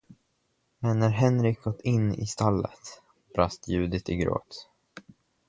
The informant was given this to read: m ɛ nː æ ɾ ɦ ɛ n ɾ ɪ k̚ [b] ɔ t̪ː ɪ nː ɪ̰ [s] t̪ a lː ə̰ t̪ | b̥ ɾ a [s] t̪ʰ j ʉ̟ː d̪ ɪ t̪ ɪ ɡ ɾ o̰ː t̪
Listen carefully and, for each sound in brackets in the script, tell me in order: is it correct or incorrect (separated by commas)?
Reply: incorrect, correct, correct